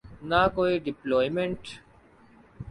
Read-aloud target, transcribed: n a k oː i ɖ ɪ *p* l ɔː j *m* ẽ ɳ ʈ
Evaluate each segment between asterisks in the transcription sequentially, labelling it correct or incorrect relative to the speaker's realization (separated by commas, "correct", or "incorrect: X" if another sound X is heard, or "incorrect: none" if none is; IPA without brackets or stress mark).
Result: correct, correct